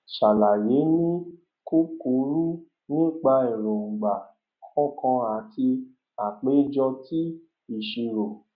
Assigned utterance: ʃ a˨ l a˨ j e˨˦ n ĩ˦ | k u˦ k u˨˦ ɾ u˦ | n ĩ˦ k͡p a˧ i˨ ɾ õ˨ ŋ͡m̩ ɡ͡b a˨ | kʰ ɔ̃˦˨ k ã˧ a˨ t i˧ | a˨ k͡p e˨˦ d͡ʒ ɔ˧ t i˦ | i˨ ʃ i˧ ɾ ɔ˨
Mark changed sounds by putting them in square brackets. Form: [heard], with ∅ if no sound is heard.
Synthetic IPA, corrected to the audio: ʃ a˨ l a˨ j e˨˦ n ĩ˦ | k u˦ k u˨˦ ɾ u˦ | n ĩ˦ k͡p a˧ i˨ ɾ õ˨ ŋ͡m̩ ɡ͡b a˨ | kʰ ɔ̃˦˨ k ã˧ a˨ t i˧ | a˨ k͡p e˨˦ d͡ʒ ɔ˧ t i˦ | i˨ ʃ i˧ ɾ [o˨]